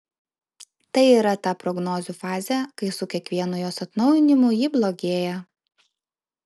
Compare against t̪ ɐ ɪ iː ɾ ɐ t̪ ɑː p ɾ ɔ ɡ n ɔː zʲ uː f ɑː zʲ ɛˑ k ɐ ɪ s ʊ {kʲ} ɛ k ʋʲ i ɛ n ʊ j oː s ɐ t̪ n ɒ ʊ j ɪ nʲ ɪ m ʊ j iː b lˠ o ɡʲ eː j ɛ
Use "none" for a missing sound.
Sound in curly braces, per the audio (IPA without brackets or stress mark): kʲ